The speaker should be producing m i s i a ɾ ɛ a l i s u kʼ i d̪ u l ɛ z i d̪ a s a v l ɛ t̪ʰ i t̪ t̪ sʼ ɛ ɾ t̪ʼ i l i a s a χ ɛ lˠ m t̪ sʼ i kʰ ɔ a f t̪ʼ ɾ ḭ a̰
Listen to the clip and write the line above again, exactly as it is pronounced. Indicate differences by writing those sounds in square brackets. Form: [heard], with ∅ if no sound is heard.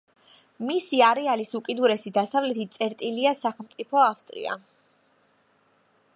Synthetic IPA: m i s i a ɾ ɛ a l i s u kʼ i d̪ u [ɾ] ɛ [s] i d̪ a s a v l ɛ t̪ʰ i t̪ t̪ sʼ ɛ ɾ t̪ʼ i l i a s a χ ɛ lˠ m t̪ sʼ i [pʰ] ɔ a f t̪ʼ ɾ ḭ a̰